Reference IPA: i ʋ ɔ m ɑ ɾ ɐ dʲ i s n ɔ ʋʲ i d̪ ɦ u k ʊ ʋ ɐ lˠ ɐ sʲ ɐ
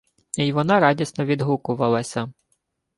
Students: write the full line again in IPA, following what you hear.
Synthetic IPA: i ʋ ɔ n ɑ ɾ ɑ dʲ i s n ɔ ʋʲ i d̪ ɦ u k ʊ ʋ ɐ lˠ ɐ sʲ ɐ